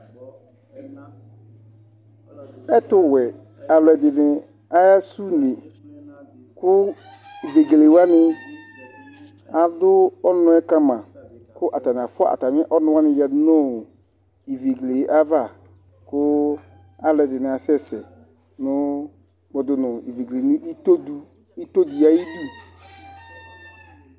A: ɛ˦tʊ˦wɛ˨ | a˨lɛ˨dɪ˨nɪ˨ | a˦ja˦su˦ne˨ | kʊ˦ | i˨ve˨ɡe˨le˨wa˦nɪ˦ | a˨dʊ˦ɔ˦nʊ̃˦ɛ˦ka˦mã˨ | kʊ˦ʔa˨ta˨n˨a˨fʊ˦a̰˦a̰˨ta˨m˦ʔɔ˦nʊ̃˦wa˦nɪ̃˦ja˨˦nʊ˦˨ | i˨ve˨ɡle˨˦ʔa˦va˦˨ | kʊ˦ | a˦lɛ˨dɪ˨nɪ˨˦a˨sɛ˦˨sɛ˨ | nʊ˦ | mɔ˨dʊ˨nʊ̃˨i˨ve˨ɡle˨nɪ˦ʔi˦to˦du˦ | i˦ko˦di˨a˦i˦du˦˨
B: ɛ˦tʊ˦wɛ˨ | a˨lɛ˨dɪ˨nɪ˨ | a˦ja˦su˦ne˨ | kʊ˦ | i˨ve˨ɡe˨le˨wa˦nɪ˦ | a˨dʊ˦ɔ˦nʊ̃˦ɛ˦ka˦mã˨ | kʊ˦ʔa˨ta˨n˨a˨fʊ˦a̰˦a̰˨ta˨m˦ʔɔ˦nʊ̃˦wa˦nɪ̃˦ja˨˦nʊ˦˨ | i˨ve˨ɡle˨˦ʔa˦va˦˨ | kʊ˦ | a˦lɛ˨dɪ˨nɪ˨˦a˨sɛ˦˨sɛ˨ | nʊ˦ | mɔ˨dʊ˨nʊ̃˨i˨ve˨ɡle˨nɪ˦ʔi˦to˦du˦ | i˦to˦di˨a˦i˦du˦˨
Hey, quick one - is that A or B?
B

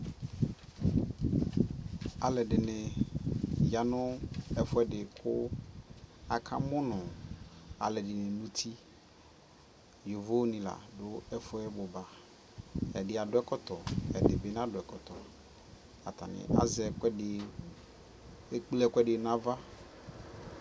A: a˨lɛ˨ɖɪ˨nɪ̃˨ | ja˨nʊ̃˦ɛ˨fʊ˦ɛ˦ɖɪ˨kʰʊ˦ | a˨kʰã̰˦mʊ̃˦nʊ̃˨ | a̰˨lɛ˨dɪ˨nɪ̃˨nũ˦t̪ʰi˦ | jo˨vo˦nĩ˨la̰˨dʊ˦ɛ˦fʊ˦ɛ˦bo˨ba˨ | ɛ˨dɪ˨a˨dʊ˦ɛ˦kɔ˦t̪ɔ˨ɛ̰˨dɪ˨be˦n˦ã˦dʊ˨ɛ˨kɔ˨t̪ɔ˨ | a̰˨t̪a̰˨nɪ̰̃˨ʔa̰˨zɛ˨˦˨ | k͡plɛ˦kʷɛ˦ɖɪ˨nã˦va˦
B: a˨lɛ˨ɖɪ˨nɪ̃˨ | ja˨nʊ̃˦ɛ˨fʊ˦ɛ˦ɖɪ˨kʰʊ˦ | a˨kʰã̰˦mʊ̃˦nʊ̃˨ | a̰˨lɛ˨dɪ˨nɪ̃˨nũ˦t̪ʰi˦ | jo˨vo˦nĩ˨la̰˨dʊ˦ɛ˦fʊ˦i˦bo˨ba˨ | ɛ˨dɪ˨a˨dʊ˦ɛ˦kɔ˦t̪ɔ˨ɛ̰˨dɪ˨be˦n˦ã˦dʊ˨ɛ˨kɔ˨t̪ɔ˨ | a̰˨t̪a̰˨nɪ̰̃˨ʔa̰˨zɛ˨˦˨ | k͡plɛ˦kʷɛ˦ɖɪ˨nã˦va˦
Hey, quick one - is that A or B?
A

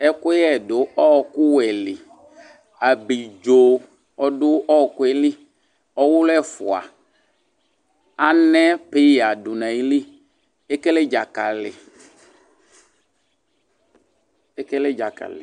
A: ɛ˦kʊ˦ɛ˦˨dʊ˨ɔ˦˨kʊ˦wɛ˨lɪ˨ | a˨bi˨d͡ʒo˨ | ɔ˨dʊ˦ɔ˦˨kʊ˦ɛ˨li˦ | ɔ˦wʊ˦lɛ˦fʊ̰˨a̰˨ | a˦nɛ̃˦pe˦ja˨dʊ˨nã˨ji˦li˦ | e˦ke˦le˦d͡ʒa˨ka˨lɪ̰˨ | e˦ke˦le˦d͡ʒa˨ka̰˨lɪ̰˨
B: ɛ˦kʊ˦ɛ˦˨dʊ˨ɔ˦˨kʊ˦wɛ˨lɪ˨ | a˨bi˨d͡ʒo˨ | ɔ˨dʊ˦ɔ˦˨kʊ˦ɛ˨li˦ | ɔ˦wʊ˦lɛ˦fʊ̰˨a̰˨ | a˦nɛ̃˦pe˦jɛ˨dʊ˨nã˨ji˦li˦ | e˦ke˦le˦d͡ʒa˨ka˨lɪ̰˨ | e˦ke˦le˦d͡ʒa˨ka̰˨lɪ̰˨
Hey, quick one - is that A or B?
A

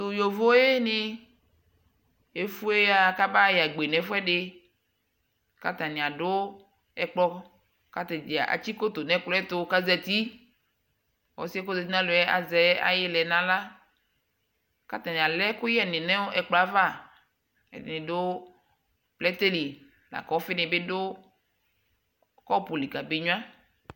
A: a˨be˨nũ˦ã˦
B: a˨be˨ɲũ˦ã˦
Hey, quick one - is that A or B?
B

